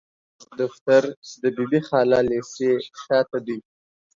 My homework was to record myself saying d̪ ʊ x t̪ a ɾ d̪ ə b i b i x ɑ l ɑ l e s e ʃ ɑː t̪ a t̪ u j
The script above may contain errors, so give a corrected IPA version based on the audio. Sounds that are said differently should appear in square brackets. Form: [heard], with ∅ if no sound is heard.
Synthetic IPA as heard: d̪ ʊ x t̪ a ɾ d̪ ə b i b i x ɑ l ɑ l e s e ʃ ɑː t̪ a [d̪] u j